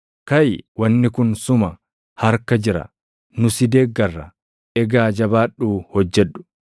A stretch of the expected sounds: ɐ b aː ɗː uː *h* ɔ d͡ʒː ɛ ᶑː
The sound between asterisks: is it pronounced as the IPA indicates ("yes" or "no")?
yes